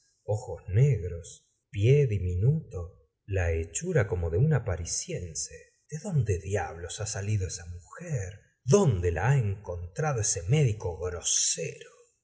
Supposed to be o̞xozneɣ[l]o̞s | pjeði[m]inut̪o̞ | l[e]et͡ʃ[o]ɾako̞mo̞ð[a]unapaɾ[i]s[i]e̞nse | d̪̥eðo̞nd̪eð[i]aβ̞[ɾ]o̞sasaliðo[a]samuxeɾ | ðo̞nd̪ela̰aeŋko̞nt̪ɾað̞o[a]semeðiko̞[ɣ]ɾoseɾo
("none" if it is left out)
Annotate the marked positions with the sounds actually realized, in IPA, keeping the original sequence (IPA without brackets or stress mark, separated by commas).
ɾ, m, a, u, e, i, j, j, l, e, e, ɣ